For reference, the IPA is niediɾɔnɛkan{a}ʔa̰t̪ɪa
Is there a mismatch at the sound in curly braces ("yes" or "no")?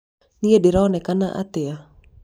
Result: no